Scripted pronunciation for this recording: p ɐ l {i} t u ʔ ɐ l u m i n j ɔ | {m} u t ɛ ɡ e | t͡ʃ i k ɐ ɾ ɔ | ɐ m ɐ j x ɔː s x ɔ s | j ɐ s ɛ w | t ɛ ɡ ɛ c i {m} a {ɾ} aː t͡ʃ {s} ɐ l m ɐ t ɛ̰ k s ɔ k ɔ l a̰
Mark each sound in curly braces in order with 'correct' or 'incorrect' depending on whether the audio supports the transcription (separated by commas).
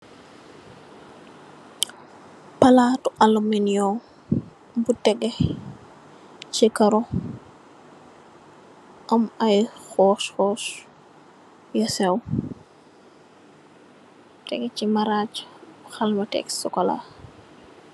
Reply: incorrect, incorrect, correct, correct, incorrect